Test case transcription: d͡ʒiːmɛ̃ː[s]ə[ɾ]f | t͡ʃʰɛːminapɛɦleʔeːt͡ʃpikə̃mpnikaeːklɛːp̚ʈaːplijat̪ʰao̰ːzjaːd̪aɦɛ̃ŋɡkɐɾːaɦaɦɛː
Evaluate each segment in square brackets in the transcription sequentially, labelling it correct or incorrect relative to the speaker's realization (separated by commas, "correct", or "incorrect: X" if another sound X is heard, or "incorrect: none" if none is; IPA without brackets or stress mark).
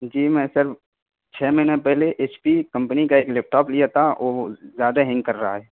correct, correct